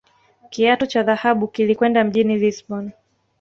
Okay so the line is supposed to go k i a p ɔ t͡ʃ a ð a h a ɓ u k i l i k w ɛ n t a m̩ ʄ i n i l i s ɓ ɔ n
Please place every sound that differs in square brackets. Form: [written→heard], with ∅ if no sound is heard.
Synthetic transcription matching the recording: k i a [p→t] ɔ t͡ʃ a ð a h a ɓ u k i l i k w ɛ n [t→d] a m̩ ʄ i n i l i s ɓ ɔ n